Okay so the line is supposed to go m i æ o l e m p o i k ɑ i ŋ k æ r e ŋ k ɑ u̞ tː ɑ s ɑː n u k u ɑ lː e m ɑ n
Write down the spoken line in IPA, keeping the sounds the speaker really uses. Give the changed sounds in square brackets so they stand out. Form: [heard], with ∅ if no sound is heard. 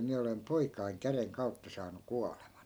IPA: m i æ o l e m p o i k ɑ i ŋ k æ r e ŋ k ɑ u̞ tː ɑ s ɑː n u k u ɑ [l] e m ɑ n